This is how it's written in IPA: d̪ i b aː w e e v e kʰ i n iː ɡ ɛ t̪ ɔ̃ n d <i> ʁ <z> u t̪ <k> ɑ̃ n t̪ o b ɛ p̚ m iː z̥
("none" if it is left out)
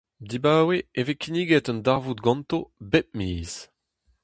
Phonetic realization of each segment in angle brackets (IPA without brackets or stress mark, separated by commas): a, v, ɡ